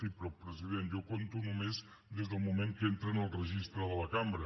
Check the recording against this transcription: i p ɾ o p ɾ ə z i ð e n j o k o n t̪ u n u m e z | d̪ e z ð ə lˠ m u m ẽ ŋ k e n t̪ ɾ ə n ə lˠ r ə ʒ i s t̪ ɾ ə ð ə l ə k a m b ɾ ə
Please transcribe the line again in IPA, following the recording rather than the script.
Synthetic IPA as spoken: i p ɾ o p ɾ ə z i ð e n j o k o n t̪ u n u m e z | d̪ e z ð ə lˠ m u m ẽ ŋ k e n t̪ ɾ ə n ə lˠ r ə ʒ i s t̪ ɾ ə ð ə l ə k a m b ɾ ə